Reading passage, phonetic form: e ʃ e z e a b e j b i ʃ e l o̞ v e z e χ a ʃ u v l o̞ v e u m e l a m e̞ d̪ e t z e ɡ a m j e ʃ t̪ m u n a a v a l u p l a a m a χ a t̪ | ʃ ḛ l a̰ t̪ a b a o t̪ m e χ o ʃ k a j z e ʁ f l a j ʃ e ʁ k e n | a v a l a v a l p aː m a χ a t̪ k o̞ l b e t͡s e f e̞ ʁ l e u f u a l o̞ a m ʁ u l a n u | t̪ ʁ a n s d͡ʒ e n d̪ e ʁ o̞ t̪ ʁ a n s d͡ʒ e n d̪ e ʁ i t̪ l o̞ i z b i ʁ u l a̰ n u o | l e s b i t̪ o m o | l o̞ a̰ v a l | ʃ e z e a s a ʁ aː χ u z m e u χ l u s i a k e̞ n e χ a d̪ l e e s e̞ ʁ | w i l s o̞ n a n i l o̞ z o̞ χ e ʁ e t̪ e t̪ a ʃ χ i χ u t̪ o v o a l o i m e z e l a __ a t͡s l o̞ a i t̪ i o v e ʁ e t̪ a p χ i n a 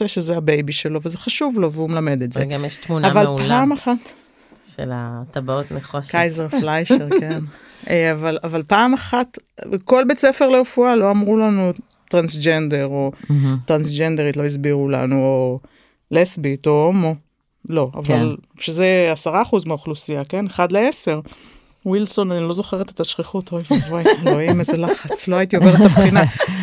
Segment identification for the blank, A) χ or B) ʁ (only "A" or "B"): A